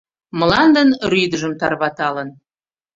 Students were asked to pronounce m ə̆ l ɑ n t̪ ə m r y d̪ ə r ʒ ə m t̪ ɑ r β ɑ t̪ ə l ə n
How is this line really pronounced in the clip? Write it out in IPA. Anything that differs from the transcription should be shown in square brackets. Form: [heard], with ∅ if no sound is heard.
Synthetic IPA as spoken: m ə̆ l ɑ n [d̪] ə [n] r y d̪ ə [∅] ʒ ə m t̪ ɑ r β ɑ t̪ [ɑ] l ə n